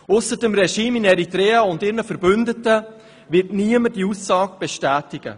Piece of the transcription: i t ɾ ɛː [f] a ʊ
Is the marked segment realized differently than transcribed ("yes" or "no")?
yes